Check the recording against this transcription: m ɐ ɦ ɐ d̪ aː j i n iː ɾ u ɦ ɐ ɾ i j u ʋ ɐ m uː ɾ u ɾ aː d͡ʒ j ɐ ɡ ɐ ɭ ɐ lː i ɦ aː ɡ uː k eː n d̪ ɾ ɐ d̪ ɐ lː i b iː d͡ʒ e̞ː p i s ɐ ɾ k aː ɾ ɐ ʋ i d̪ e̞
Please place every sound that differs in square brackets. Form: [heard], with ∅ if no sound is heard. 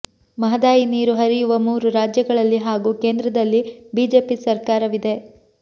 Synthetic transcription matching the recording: m ɐ ɦ ɐ d̪ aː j i n iː ɾ u ɦ ɐ ɾ i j u ʋ ɐ m uː ɾ u ɾ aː d͡ʒ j ɐ ɡ ɐ ɭ ɐ lː i ɦ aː ɡ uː k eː n d̪ ɾ ɐ d̪ ɐ lː i b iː d͡ʒ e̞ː p i s ɐ ɾ k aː ɾ ɐ ʋ i d̪ e̞